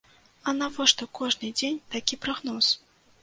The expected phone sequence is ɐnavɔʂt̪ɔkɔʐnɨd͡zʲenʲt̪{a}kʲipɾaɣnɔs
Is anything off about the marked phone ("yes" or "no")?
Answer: no